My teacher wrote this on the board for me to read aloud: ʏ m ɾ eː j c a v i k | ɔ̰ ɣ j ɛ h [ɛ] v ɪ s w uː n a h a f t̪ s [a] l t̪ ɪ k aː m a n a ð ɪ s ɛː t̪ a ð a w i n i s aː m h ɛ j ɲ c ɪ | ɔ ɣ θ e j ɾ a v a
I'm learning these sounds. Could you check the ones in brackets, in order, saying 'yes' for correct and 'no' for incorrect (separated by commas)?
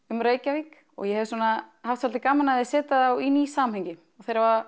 yes, yes